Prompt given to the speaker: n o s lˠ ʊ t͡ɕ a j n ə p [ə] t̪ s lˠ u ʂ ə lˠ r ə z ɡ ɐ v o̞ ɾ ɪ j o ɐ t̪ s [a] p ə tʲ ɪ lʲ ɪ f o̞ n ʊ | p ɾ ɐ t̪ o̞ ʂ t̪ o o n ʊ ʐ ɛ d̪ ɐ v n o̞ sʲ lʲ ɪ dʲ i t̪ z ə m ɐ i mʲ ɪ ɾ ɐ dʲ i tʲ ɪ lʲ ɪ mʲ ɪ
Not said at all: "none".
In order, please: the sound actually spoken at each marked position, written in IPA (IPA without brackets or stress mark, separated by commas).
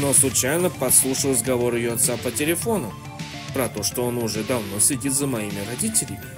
ɐ, a